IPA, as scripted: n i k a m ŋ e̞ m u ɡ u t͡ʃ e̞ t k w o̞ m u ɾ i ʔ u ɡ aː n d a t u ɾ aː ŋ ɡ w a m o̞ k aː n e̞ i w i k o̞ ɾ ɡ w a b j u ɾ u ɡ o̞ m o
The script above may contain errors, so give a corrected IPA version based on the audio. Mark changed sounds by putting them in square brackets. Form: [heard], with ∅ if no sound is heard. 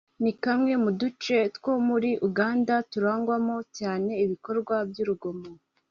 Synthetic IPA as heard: n i k a m ŋ e̞ m u [d] u t͡ʃ e̞ t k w o̞ m u ɾ i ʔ u ɡ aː n d a t u ɾ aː ŋ ɡ w a m o̞ [c] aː n e̞ i [β] i k o̞ ɾ ɡ w a b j u ɾ u ɡ o̞ m o